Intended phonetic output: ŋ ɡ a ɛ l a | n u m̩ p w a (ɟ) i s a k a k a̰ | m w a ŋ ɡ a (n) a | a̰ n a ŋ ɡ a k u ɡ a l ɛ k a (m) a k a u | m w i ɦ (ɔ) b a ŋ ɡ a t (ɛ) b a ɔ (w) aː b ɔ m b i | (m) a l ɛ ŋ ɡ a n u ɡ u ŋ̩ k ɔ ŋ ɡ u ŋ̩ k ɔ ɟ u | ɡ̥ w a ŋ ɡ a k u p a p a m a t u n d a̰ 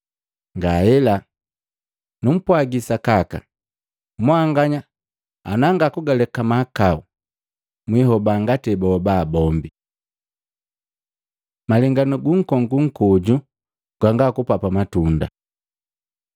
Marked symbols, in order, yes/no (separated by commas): no, no, yes, yes, yes, no, yes